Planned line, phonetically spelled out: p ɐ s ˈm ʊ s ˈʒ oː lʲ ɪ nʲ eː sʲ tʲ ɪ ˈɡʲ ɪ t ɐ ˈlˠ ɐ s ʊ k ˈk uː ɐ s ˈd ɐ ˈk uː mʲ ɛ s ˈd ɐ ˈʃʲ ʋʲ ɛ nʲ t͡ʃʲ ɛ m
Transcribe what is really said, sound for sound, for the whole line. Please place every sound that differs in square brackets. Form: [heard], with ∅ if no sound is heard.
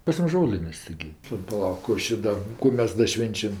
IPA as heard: p ɐ s ˈm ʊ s ˈʒ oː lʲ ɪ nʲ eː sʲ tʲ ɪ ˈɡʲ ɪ [p] ɐ ˈlˠ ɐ [∅] ʊ k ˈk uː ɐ [ʃ] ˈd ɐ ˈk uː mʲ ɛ s ˈd ɐ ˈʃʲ ʋʲ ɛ nʲ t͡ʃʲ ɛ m